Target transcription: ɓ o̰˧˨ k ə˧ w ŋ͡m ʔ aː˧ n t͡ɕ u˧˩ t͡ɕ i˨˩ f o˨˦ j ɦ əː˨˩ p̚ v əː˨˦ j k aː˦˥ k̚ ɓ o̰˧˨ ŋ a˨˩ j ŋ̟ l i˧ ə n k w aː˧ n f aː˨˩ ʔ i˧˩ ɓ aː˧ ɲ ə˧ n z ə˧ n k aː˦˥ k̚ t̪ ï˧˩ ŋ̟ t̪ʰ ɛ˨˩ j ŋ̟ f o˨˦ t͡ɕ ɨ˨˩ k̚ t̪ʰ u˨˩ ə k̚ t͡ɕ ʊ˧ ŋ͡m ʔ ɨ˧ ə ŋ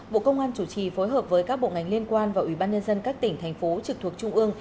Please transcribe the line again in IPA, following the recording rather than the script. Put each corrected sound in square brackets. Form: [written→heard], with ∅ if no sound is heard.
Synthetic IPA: ɓ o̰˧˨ k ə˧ w ŋ͡m ʔ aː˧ n t͡ɕ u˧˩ t͡ɕ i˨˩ f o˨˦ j ɦ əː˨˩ p̚ v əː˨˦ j k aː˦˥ k̚ ɓ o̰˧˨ ŋ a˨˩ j ŋ̟ l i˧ ə n k w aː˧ n [f→v] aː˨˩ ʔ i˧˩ ɓ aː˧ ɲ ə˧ n z ə˧ n k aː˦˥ k̚ t̪ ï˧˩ ŋ̟ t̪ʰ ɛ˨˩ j ŋ̟ f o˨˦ t͡ɕ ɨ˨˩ k̚ t̪ʰ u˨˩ ə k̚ t͡ɕ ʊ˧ ŋ͡m ʔ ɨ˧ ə ŋ